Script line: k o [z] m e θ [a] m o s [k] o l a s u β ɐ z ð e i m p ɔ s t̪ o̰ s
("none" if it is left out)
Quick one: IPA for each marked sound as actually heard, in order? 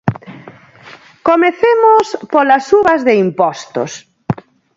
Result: none, e, p

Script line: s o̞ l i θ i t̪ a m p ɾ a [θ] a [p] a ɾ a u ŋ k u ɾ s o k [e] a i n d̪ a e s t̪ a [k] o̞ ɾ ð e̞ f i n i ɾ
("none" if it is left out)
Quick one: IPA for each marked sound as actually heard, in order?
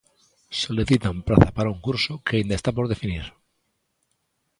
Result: θ, p, e, p

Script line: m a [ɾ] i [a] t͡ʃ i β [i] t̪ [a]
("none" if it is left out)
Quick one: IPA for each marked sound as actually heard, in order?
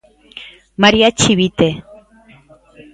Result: ɾ, a, i, e

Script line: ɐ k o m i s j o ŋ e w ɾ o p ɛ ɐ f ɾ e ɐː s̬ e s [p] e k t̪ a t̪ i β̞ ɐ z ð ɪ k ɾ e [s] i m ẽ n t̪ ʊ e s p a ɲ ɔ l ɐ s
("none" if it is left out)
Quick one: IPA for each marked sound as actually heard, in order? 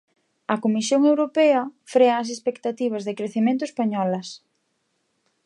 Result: p, θ

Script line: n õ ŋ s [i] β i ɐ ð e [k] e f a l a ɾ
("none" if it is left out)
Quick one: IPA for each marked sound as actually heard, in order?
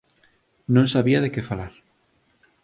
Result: a, k

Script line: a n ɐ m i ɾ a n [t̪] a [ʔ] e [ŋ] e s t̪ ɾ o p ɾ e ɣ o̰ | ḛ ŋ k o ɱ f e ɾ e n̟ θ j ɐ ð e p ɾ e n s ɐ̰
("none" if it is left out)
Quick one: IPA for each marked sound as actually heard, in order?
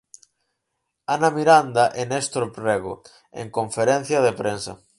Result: d̪, ʔ, n

